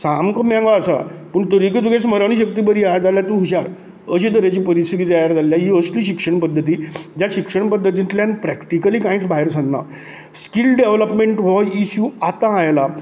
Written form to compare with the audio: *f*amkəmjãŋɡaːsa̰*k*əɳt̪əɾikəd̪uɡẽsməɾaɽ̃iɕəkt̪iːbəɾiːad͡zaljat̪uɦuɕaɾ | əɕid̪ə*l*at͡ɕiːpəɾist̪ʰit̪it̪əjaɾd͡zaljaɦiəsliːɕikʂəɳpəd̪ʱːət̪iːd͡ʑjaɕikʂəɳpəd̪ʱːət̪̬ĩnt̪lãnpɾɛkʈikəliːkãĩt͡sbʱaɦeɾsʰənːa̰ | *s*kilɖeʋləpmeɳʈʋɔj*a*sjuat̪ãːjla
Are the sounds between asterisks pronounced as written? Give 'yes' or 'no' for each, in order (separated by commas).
no, no, no, yes, no